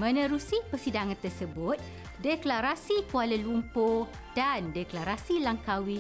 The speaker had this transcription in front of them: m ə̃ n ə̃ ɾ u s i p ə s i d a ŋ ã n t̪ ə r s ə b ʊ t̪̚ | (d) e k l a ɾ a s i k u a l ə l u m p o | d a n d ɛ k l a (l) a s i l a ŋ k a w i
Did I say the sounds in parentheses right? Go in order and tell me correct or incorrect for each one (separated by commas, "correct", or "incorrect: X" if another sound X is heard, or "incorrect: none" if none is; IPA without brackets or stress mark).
correct, incorrect: ɾ